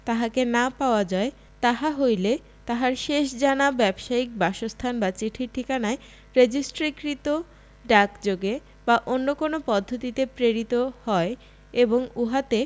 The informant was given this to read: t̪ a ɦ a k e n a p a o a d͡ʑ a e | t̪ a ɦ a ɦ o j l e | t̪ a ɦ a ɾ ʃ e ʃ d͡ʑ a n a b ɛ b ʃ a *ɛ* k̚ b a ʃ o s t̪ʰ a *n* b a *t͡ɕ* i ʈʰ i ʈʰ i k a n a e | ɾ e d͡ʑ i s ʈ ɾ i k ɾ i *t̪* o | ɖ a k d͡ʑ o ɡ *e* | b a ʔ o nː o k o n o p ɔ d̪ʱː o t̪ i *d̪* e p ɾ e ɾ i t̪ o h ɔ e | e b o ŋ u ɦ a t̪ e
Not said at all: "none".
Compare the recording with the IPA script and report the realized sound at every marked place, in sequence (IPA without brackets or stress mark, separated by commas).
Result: i, n, t͡ɕ, t̪, e, t̪